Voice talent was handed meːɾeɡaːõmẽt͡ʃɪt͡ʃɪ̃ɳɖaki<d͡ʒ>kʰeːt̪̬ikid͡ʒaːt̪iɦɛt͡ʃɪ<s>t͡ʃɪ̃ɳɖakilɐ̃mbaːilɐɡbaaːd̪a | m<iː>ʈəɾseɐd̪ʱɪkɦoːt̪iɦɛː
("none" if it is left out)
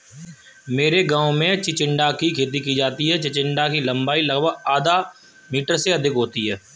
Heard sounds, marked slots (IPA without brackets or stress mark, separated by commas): none, none, iː